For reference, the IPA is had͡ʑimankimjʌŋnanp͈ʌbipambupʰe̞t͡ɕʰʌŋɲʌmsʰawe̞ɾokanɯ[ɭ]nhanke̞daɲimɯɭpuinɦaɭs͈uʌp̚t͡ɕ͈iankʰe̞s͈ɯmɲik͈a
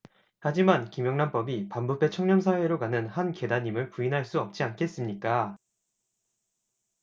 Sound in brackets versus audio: incorrect: none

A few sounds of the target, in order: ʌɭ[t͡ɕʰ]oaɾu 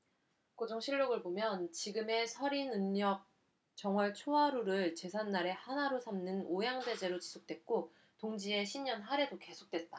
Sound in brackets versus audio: correct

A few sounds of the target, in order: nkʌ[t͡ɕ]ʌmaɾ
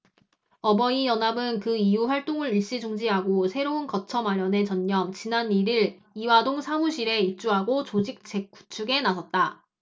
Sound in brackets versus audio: incorrect: t͡ɕʰ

